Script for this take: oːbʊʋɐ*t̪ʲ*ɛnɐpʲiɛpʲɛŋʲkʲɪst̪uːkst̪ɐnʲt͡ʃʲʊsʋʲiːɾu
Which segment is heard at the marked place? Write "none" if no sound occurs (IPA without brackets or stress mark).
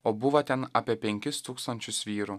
t̪ʲ